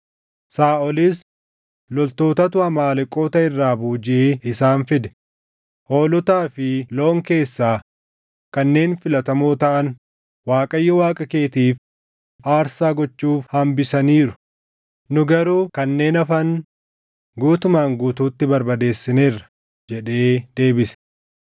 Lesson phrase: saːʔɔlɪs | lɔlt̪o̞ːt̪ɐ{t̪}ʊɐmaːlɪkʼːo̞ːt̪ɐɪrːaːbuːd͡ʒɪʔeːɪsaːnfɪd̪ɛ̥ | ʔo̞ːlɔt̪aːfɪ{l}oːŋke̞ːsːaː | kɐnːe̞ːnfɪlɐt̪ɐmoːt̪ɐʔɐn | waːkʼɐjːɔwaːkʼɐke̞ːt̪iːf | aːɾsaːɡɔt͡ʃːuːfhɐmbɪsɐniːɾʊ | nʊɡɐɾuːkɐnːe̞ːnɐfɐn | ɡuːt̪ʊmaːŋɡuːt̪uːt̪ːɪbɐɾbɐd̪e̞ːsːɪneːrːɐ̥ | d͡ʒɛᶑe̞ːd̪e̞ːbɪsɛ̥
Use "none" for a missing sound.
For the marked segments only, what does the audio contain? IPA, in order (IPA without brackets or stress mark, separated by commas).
t̪, l